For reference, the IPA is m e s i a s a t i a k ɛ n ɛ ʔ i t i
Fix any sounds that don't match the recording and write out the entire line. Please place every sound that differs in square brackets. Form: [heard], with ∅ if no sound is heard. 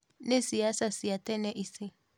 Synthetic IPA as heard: [n] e s i a s a [s] i a [t] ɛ n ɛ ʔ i [s] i